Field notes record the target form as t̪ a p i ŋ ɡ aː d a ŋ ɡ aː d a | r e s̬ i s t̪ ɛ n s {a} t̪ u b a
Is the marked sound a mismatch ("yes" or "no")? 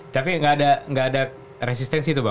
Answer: yes